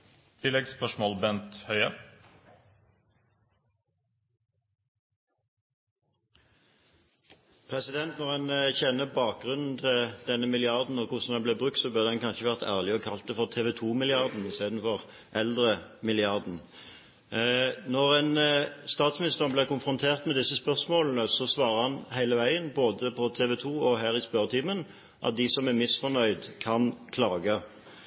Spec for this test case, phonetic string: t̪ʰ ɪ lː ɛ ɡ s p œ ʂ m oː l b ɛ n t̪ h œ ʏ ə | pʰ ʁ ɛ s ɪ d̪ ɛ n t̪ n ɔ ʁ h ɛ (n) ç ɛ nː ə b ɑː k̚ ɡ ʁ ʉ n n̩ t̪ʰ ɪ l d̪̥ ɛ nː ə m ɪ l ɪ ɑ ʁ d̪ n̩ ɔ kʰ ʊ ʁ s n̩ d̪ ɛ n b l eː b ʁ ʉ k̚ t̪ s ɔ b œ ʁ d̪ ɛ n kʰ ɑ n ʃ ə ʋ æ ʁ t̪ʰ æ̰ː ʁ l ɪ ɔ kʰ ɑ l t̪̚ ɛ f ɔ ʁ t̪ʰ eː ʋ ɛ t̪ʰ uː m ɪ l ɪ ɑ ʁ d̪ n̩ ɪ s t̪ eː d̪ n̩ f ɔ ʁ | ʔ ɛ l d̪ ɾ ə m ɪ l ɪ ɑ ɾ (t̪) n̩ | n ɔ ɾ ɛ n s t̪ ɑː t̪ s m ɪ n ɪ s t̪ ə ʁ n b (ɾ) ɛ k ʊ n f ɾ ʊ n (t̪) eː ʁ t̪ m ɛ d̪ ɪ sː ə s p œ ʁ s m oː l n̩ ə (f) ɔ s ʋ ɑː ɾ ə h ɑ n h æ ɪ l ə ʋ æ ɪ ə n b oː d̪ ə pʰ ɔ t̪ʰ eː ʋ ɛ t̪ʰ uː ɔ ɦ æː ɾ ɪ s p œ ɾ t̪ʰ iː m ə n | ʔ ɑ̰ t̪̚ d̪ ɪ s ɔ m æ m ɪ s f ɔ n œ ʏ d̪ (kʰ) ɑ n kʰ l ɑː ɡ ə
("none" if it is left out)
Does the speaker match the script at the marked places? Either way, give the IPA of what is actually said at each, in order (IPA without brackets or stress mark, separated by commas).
n, d̪, l, t̪ʰ, s, kʰ